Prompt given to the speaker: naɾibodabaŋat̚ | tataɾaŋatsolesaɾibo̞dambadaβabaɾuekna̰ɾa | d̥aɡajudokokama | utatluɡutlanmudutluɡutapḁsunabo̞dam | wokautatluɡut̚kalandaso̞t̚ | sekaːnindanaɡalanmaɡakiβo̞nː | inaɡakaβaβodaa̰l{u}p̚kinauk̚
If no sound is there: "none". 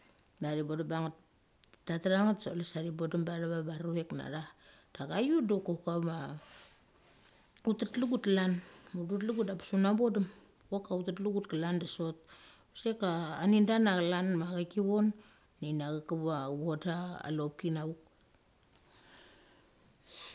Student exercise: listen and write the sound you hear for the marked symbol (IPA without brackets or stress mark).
o